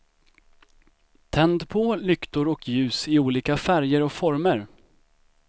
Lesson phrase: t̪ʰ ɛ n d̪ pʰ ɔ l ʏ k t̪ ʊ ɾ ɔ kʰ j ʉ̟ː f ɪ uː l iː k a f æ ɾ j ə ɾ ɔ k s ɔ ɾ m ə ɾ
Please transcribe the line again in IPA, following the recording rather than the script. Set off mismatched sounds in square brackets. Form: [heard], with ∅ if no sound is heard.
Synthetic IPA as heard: t̪ʰ ɛ n d̪ pʰ ɔ l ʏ k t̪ ʊ ɾ ɔ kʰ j ʉ̟ː [s] ɪ uː l iː k a f æ ɾ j ə ɾ ɔ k [f] ɔ ɾ m ə ɾ